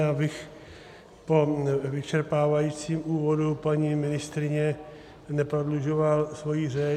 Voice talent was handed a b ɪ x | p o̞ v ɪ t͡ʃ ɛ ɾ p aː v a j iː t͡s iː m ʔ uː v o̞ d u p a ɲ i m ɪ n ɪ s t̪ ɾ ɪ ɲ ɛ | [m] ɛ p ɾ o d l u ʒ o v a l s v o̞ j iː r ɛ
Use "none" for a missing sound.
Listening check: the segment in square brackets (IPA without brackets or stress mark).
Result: n